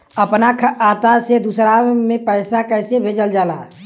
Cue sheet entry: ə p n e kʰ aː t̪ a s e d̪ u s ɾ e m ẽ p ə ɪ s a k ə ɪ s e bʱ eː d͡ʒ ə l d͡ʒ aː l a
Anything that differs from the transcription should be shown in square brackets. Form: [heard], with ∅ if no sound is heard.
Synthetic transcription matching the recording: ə p n [a] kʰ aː t̪ a s e d̪ u s ɾ [a] m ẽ p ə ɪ s a k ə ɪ s e bʱ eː d͡ʒ ə l d͡ʒ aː l a

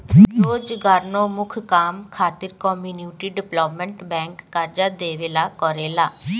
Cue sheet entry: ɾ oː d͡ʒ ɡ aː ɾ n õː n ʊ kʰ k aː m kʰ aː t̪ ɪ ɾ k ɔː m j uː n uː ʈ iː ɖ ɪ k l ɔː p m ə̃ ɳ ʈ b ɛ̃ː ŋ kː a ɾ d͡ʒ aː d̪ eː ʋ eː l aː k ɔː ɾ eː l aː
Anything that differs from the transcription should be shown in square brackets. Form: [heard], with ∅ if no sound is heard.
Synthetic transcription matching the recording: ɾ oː d͡ʒ ɡ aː ɾ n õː [m] ʊ kʰ k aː m kʰ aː t̪ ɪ ɾ k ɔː m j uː n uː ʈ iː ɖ ɪ [p] l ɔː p m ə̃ ɳ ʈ b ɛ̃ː ŋ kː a ɾ d͡ʒ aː d̪ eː ʋ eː l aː k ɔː ɾ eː l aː

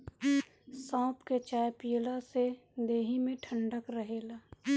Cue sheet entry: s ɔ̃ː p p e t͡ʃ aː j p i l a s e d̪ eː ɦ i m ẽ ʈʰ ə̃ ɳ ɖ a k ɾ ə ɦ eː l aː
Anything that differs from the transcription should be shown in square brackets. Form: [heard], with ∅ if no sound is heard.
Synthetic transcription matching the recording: s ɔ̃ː p [k] e t͡ʃ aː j p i l a s e d̪ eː ɦ i m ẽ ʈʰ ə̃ ɳ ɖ [ə] k ɾ ə ɦ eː l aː

